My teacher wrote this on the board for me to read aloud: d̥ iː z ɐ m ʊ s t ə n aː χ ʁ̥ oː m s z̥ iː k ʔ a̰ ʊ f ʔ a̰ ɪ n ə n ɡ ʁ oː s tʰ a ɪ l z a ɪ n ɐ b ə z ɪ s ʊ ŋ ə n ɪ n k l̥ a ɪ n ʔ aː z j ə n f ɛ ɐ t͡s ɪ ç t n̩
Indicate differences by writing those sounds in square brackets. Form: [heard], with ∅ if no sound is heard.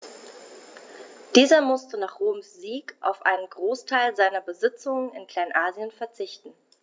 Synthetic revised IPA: d̥ iː z ɐ m ʊ s t ə n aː χ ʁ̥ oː m s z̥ iː k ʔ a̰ ʊ f ʔ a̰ ɪ n ə n ɡ ʁ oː s tʰ a ɪ l z a ɪ n ɐ b ə z ɪ [t͡s] ʊ ŋ ə n ɪ n k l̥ a ɪ n ʔ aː z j ə n f ɛ ɐ t͡s ɪ ç t n̩